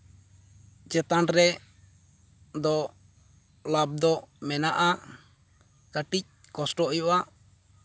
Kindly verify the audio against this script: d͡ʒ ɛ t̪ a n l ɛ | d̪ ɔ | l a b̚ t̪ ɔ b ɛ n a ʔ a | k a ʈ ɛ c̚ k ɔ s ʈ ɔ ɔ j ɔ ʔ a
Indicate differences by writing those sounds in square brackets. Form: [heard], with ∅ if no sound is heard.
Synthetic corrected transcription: d͡ʒ ɛ t̪ a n [ɾ] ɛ | d̪ ɔ | l a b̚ [d̪] ɔ [m] ɛ n a ʔ a | k a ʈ [i] c̚ k ɔ s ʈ ɔ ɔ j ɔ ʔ a